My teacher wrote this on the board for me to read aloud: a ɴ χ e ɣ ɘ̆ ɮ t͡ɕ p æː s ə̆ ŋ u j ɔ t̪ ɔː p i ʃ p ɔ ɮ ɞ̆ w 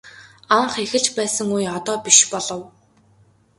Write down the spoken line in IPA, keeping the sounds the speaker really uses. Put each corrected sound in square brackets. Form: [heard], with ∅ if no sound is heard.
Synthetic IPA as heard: a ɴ χ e [x] ɘ̆ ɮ t͡ɕ p æː s ə̆ ŋ u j ɔ t̪ ɔː p i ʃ p ɔ ɮ ɞ̆ w